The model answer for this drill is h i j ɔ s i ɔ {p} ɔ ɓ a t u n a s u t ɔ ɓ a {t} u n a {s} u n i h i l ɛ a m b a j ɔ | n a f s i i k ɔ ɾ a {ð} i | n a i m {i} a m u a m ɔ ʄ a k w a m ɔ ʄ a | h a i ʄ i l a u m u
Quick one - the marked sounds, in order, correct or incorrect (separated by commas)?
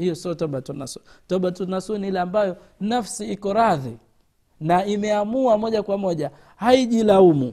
incorrect, correct, correct, correct, incorrect